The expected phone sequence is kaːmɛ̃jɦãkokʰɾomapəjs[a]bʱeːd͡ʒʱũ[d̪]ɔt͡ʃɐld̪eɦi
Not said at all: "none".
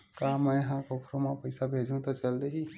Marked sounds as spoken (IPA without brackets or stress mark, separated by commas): a, t̪